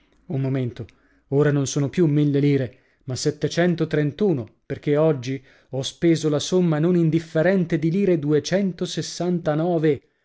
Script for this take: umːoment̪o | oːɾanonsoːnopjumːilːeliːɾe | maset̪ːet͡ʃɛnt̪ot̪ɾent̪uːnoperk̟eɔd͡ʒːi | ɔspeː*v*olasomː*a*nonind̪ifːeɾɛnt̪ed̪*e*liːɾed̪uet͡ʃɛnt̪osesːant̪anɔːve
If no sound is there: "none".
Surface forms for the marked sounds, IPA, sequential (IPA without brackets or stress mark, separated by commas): z, a, i